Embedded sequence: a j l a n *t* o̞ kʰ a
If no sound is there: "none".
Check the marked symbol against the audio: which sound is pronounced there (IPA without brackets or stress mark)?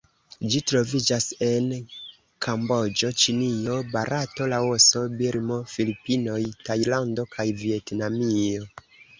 d